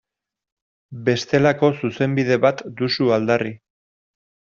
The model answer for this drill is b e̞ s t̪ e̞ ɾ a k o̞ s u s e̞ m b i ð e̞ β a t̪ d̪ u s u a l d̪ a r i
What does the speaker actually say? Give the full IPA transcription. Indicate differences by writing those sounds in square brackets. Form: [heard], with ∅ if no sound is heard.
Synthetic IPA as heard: b e̞ s t̪ e̞ [l] a k o̞ s u s e̞ m b i ð e̞ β a t̪ d̪ u s u a l d̪ a r i